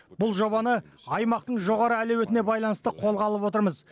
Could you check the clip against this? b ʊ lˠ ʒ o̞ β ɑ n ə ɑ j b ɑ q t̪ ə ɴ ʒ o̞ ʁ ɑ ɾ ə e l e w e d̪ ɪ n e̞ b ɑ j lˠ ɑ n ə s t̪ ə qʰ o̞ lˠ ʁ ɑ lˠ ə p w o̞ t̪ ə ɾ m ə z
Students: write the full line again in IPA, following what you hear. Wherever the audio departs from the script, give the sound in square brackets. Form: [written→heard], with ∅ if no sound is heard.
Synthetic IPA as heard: b ʊ lˠ ʒ o̞ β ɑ n ə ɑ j [b→m] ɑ q t̪ ə ɴ ʒ o̞ ʁ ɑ ɾ ə [e→æ] l e w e [d̪→t̪] ɪ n e̞ b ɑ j lˠ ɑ n ə s t̪ ə qʰ o̞ lˠ ʁ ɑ lˠ ə p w o̞ t̪ ə ɾ m ə z